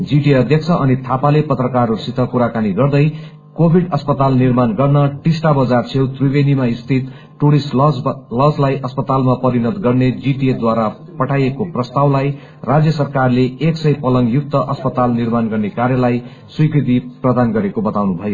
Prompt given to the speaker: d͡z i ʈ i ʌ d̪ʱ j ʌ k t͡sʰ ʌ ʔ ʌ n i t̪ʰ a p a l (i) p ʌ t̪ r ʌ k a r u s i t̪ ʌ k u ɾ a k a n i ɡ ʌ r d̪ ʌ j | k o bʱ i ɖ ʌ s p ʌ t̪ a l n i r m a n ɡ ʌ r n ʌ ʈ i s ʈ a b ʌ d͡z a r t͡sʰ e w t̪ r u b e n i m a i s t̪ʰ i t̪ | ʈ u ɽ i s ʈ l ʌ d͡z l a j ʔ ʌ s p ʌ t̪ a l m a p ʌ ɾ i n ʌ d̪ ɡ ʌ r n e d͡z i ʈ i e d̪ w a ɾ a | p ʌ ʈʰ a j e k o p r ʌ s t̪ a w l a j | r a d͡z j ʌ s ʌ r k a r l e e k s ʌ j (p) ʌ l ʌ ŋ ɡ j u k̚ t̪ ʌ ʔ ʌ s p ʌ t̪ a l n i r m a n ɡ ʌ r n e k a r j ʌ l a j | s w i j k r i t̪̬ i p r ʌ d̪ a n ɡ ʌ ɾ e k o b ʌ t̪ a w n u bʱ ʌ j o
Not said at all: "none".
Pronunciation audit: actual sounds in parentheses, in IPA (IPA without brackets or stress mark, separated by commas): e, p